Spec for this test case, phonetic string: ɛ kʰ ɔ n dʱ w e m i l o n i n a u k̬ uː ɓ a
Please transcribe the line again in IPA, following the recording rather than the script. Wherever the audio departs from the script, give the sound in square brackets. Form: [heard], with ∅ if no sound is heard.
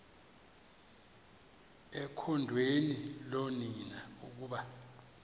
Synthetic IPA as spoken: ɛ kʰ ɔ n dʱ w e [n] i l o n i n a u k̬ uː ɓ a